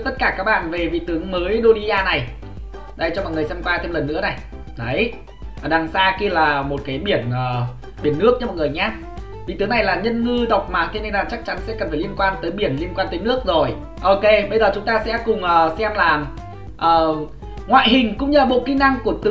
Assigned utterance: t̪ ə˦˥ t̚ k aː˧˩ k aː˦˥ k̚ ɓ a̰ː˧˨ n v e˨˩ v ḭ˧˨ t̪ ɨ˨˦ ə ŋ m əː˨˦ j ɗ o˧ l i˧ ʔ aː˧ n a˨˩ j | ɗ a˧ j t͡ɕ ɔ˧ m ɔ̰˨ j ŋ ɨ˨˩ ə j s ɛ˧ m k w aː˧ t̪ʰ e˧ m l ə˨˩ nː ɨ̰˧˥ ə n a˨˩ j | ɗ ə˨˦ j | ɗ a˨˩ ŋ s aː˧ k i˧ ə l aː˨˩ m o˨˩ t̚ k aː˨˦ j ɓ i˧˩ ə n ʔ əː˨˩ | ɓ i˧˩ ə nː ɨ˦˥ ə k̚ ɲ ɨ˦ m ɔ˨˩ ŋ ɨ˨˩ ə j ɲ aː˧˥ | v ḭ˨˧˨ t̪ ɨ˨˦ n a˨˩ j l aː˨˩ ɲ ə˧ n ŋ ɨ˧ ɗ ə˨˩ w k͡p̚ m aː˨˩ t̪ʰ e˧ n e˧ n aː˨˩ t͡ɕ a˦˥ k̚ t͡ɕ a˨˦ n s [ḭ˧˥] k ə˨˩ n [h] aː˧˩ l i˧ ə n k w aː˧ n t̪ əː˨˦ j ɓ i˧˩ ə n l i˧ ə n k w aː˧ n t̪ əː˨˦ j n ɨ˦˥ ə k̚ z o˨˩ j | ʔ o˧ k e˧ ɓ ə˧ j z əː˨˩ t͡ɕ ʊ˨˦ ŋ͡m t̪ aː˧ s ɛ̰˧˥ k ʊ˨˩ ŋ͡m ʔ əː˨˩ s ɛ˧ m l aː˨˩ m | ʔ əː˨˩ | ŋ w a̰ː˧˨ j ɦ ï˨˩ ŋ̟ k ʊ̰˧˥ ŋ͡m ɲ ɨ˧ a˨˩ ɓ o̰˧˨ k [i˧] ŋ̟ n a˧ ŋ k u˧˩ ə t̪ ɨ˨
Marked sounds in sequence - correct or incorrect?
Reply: incorrect: ɛ̰˧˥, incorrect: f, correct

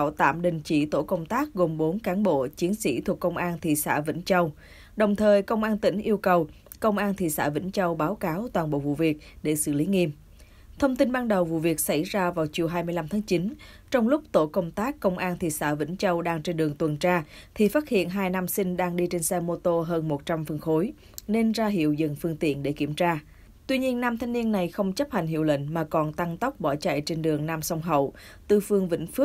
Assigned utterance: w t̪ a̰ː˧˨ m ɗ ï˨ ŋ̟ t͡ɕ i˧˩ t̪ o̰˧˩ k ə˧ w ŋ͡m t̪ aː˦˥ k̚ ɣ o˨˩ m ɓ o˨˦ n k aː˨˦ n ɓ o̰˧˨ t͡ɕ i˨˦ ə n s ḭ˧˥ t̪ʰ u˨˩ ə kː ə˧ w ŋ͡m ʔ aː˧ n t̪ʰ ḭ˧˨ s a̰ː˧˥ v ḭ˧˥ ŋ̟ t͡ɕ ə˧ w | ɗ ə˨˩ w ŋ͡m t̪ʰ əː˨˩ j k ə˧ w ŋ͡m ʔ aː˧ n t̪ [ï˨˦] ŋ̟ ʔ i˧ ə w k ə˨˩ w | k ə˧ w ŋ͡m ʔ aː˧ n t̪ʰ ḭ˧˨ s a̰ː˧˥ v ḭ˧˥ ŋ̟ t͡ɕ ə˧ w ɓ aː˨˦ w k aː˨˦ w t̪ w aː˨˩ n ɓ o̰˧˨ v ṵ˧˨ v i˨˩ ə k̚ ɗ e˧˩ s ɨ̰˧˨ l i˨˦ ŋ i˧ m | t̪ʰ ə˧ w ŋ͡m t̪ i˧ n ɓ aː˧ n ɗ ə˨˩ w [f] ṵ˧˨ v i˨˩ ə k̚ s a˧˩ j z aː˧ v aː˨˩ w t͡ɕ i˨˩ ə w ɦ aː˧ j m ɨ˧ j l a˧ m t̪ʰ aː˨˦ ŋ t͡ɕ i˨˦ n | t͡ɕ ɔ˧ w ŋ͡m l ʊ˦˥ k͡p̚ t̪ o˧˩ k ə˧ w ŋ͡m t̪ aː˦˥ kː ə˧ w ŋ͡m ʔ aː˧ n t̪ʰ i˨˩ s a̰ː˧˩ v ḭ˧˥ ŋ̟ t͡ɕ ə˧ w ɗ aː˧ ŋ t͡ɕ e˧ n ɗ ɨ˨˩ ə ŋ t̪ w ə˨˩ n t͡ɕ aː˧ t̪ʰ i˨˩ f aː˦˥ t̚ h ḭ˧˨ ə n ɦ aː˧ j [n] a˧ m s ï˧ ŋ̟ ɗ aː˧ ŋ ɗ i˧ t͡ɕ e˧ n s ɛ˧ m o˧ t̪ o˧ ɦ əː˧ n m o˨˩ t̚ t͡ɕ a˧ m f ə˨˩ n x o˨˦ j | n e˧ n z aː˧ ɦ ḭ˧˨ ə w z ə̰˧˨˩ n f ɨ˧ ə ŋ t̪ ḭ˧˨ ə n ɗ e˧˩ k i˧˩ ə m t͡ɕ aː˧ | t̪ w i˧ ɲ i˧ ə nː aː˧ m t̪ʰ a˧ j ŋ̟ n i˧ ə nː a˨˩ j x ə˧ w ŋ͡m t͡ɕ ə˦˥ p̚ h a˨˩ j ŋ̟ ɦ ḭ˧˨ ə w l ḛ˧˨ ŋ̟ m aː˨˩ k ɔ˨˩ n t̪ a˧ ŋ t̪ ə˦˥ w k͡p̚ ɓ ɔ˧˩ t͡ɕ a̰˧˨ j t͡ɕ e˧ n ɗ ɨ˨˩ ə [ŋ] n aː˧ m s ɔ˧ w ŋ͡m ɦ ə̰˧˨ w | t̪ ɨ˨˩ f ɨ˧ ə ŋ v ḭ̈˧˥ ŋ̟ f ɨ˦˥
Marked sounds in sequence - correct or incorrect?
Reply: incorrect: ï˧˩, incorrect: v, correct, correct

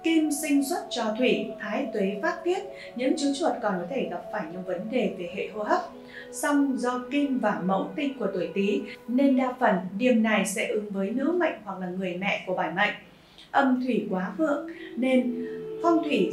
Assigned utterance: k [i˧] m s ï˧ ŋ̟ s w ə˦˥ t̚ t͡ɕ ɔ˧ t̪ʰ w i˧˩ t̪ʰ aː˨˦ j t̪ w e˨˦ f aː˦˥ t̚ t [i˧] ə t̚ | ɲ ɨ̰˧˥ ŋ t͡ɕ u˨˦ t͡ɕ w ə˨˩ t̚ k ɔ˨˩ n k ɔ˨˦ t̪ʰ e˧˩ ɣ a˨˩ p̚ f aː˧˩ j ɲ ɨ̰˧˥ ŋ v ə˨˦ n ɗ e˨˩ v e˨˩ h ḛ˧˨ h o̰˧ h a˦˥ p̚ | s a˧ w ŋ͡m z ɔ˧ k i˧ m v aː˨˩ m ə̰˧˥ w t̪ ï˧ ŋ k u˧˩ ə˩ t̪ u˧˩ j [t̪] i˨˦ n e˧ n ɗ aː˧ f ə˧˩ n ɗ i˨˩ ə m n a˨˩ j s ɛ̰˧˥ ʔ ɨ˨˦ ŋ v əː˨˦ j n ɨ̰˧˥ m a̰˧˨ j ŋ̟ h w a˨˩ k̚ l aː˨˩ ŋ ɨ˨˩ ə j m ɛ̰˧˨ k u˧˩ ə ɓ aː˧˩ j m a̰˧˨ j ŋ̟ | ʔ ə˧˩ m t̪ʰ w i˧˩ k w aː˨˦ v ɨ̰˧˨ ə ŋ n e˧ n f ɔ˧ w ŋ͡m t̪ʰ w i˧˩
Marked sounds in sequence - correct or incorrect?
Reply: correct, incorrect: i˦˥, correct

